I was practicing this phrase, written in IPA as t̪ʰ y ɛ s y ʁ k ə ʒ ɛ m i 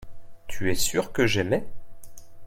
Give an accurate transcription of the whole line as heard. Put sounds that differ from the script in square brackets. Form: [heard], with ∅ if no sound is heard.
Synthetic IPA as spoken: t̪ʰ y ɛ s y ʁ k ə ʒ ɛ m [ɛ]